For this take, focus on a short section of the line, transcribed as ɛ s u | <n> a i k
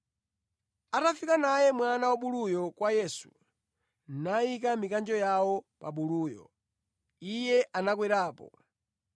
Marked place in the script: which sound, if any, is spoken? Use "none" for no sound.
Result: n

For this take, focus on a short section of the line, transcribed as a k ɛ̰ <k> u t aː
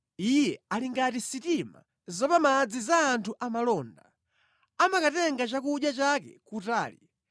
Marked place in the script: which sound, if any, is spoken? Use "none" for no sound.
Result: k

